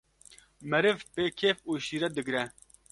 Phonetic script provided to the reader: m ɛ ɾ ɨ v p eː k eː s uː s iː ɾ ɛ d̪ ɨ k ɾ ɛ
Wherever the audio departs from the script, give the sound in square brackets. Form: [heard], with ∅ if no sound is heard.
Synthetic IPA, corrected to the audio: m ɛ ɾ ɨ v p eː [kʰ] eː [f] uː [ʃ] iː ɾ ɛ d̪ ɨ [ɡ] ɾ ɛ